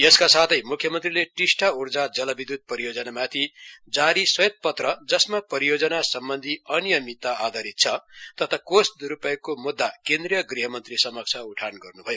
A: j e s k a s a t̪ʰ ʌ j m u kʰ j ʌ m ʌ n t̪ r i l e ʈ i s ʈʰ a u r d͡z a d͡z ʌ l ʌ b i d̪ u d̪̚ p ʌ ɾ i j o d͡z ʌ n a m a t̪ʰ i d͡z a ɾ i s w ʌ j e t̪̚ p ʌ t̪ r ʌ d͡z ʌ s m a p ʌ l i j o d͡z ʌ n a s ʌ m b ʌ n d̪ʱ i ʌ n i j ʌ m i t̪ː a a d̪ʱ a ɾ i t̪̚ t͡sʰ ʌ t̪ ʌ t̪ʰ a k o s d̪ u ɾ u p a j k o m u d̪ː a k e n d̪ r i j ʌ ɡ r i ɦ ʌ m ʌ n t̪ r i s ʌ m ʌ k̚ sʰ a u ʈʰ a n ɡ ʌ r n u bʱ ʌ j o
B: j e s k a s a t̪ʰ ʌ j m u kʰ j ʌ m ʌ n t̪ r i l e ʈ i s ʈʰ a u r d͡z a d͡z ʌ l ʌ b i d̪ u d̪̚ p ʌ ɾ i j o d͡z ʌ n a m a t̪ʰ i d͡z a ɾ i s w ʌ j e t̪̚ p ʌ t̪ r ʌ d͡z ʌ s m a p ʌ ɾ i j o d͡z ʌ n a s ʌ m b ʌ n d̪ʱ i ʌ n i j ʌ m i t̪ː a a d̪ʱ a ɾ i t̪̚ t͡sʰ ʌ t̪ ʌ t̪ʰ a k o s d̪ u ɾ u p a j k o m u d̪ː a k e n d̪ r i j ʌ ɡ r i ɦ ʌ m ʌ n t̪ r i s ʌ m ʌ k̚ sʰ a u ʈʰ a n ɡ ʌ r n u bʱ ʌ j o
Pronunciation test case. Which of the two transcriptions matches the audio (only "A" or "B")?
B